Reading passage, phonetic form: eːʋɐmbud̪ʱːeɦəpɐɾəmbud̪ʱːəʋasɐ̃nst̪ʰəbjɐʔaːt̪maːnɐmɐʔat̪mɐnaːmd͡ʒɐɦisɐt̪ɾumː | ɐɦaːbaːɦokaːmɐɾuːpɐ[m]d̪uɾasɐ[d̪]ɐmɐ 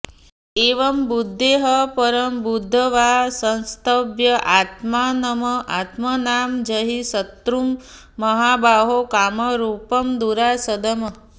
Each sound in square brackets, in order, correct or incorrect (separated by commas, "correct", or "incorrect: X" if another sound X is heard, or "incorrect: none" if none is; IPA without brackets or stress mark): correct, correct